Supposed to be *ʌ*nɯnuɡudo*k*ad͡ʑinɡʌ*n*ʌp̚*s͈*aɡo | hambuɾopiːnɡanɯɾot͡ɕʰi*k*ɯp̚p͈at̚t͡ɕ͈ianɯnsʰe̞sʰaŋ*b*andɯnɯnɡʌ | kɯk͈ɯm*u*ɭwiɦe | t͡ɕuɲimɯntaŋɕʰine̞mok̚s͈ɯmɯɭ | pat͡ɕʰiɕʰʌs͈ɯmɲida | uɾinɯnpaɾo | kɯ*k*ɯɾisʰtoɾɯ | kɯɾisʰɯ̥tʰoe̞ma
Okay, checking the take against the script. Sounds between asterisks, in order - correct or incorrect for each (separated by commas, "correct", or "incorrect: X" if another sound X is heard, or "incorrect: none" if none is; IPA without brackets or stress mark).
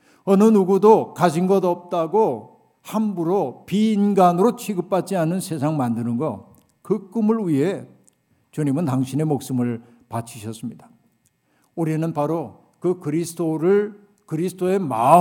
correct, correct, incorrect: d, incorrect: t͈, incorrect: ɡ, incorrect: m, incorrect: ɯ, correct